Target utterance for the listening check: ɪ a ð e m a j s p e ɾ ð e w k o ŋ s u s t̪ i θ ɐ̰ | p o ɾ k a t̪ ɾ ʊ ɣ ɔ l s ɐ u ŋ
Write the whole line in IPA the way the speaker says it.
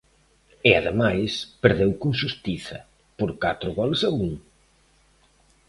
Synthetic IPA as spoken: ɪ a ð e m a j s p e ɾ ð e w k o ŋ ʃ u s t̪ i θ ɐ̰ | p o ɾ k a t̪ ɾ ʊ ɣ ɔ l s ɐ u ŋ